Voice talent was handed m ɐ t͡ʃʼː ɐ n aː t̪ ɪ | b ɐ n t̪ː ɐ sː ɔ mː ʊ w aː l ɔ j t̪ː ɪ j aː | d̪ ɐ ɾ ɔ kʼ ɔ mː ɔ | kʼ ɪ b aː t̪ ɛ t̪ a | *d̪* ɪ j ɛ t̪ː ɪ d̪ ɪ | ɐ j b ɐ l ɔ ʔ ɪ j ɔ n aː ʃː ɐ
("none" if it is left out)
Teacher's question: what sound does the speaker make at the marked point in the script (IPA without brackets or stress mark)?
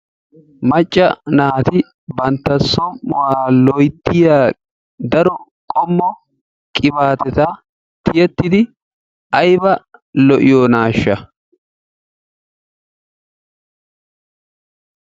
t̪